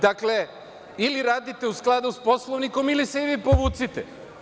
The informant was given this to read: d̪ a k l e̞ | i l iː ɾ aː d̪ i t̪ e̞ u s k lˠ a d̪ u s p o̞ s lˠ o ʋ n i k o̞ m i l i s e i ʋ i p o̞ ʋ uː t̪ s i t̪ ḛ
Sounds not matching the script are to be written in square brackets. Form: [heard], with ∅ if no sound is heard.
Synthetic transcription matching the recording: d̪ a k l e̞ | i l [i] ɾ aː d̪ i t̪ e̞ u s k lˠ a d̪ u s p o̞ s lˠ o ʋ n i k o̞ m i l i s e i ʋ i p o̞ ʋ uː t̪ s i t̪ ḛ

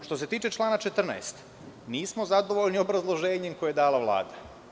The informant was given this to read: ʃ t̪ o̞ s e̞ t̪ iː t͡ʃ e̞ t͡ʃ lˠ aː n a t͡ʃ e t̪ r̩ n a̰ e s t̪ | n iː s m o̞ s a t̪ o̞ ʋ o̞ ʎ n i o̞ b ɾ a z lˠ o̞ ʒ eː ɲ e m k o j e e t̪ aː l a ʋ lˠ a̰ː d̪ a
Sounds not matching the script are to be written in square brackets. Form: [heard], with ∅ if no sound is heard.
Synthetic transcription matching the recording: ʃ t̪ o̞ s e̞ t̪ iː t͡ʃ e̞ t͡ʃ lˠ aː n a t͡ʃ e t̪ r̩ n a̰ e s t̪ | n iː s m o̞ [z] a [d̪] o̞ ʋ o̞ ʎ n i o̞ b ɾ a z lˠ o̞ ʒ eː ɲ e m k o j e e [d̪] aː l a ʋ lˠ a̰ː d̪ a

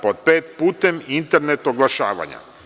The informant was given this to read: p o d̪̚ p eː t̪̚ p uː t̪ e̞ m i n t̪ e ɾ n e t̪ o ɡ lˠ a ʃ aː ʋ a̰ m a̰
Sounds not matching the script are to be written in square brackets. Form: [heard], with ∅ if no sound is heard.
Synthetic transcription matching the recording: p o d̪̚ p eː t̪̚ p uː t̪ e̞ m i n t̪ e ɾ n e t̪ o ɡ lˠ a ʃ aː ʋ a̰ [ɲ] a̰

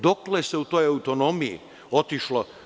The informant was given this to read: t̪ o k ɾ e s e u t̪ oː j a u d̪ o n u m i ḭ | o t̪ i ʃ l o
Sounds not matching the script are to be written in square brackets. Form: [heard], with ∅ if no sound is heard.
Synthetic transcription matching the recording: [d̪] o k [l] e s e u t̪ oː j a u [t̪] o n [o] m i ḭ | o t̪ i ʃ l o

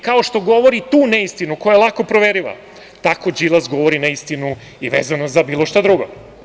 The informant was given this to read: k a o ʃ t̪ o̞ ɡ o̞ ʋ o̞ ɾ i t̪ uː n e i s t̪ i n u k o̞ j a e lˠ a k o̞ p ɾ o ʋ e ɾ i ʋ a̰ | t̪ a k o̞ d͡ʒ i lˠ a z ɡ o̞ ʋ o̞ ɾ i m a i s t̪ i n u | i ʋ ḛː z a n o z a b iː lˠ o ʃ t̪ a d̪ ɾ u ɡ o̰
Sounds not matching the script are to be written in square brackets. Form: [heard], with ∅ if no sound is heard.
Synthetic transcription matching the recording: k a o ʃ t̪ o̞ ɡ o̞ ʋ o̞ ɾ i t̪ uː n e i s t̪ i n u k o̞ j a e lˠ a k o̞ p ɾ o ʋ e ɾ i ʋ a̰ | t̪ a k o̞ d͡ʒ i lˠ a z ɡ o̞ ʋ o̞ ɾ i [n] a i s t̪ i n u | i ʋ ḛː z a n o z a b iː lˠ o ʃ t̪ a d̪ ɾ u ɡ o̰

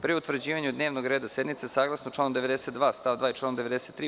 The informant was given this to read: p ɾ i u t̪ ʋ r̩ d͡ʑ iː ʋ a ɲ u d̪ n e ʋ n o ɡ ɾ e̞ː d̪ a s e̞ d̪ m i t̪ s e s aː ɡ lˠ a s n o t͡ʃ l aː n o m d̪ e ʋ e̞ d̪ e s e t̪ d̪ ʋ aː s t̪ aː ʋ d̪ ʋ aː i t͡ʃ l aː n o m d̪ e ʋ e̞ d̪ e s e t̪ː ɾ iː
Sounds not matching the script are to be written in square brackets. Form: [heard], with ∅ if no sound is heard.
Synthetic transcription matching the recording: p ɾ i u t̪ ʋ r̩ d͡ʑ iː ʋ a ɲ u d̪ n e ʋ n o ɡ ɾ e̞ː d̪ a s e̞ d̪ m i t̪ s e s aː ɡ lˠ a s n o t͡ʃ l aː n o m d̪ e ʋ e̞ d̪ e s e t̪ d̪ ʋ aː s t̪ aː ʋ d̪ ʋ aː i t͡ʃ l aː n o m d̪ e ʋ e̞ d̪ e s e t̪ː ɾ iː

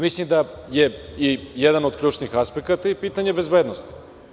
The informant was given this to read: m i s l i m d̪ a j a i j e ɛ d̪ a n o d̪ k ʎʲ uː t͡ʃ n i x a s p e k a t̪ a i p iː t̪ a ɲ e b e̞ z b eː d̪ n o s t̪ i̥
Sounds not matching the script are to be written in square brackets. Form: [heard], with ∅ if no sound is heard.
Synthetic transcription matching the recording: m i s l i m d̪ a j [e] i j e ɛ d̪ a n o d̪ k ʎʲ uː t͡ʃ n i x a s p e k a t̪ a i p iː t̪ a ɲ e b e̞ z b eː d̪ n o s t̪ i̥

